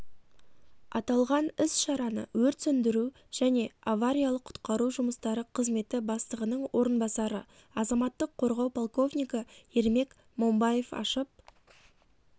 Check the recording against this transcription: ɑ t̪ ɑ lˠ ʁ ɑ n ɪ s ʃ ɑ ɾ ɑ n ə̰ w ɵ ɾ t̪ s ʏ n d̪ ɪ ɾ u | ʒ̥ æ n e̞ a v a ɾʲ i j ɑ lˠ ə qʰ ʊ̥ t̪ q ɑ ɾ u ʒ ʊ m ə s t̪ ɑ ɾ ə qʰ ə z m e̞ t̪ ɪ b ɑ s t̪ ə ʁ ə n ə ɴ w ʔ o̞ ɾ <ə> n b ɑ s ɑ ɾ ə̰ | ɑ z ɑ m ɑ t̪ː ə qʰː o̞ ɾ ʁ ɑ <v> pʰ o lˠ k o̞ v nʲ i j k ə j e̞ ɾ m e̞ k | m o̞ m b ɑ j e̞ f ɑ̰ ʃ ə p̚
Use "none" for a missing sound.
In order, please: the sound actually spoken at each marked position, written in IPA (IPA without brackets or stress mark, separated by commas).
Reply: ə, w